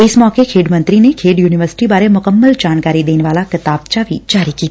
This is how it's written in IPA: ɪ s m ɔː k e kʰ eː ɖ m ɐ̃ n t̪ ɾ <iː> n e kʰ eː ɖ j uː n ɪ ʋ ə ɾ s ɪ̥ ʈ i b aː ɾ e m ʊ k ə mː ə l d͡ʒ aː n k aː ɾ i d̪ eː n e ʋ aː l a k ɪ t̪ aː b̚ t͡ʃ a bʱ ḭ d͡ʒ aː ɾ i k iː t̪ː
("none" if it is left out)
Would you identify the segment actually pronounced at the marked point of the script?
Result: i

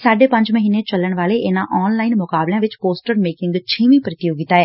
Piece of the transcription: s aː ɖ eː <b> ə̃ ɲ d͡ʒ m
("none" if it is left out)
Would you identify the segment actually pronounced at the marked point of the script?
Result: p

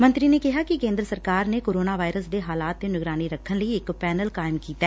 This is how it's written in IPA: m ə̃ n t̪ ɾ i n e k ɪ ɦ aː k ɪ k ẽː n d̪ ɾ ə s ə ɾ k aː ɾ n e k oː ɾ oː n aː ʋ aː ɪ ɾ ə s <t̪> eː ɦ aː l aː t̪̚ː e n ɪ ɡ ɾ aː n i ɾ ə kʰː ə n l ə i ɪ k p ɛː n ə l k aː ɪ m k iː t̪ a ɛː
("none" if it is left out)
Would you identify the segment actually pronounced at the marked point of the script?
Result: d̪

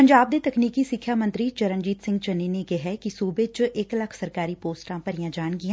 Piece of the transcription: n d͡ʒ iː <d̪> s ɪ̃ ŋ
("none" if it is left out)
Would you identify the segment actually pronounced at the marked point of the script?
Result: t̪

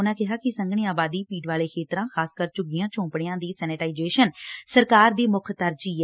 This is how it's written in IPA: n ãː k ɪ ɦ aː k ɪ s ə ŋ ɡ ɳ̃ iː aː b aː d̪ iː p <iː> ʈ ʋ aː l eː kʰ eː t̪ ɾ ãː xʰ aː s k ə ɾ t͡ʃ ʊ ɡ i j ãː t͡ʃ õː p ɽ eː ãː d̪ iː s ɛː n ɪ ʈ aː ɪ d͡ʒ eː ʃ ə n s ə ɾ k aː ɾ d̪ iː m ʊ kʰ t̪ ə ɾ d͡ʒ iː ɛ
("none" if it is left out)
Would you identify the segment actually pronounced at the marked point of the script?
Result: iː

